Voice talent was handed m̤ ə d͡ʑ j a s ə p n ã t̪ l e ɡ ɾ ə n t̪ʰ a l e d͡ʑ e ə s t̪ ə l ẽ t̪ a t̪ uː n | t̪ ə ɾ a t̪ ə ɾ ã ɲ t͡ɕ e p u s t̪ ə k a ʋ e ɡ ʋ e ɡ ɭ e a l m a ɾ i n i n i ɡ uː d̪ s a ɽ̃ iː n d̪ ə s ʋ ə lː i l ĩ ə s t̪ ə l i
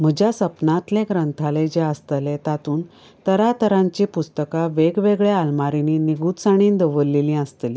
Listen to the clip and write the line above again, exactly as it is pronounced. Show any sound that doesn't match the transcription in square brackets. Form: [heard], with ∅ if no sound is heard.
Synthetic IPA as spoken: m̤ ə d͡ʑ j a s ə p n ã t̪ l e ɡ ɾ ə n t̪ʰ a l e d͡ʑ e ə s t̪ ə l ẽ t̪ a t̪ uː n | t̪ ə ɾ a t̪ ə ɾ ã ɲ t͡ɕ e p u s t̪ ə k a ʋ e ɡ ʋ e ɡ ɭ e a l m a ɾ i n i n i ɡ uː [t̪] s a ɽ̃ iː n d̪ ə [∅] ʋ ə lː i l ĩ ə s t̪ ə l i